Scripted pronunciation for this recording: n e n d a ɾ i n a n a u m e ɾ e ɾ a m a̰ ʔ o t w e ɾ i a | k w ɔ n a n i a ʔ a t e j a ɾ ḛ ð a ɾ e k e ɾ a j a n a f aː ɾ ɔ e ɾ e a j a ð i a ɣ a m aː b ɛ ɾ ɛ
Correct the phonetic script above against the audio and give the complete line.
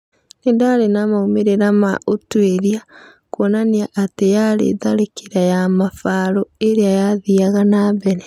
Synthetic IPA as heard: n e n d a ɾ e n a m a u m e ɾ e ɾ a m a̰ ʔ o t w e ɾ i a | k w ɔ n a n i a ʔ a t e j a ɾ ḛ ð a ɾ e k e ɾ a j a m a f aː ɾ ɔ e ɾ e a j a ð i a ɣ a n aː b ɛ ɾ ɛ

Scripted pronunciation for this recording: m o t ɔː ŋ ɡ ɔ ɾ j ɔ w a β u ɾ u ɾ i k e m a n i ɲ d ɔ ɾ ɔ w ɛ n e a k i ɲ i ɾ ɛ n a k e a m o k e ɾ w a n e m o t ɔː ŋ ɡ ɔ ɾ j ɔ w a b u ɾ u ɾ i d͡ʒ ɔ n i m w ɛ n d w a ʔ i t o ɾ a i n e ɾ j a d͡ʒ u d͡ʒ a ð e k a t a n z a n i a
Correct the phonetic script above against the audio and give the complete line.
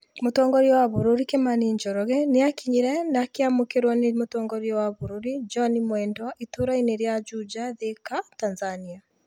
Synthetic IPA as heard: m o t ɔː ŋ ɡ ɔ ɾ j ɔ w a β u ɾ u ɾ i k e m a n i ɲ d͡ʒ ɔ ɾ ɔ ɣ ɛ n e a k i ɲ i ɾ ɛ n a k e a m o k e ɾ w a n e m o t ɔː ŋ ɡ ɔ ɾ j ɔ w a β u ɾ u ɾ i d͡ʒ ɔ n i m w ɛ n d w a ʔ i t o ɾ a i n e ɾ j a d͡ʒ u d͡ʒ a ð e k a t a n z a n i a

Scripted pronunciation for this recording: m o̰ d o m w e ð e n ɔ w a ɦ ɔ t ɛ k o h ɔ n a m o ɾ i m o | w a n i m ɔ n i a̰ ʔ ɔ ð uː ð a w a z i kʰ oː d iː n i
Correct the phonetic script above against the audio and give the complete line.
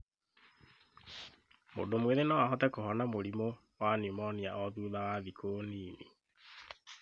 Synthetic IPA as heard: m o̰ d o m w e ð e n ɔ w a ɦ ɔ t ɛ k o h ɔ n a m o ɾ i m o | w a n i m ɔ n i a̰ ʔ ɔ ð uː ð a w a ð i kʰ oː n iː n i

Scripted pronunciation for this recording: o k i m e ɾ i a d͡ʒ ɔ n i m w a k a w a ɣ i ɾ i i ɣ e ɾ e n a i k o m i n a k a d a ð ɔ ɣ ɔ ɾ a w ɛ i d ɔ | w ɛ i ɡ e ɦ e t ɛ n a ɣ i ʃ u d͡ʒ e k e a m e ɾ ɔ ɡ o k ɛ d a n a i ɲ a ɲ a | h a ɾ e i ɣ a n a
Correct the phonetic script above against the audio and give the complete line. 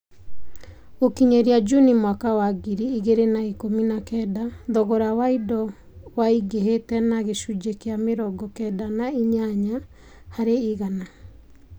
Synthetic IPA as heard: o k i ɲ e ɾ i a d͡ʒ u n i m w a k a w a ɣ i ɾ i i ɣ e ɾ e n a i k o m i n a k ɛ d a ð ɔ ɣ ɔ ɾ a w a i d ɔ | w a i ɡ e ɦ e t ɛ n a ɣ e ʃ u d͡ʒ e k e a m e ɾ ɔ ɡ ɔ k ɛ d a n a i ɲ a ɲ a | h a ɾ e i ɣ a n a

